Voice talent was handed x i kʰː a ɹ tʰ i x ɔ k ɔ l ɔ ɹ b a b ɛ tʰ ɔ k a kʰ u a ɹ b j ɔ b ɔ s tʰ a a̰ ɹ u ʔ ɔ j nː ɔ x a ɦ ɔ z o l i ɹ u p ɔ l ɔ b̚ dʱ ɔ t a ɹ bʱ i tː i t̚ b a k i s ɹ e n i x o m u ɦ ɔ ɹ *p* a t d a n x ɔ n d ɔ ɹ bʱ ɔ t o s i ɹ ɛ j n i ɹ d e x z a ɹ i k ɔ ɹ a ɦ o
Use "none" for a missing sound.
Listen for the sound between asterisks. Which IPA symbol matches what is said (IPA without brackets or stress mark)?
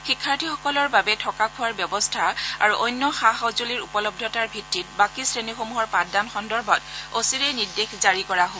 p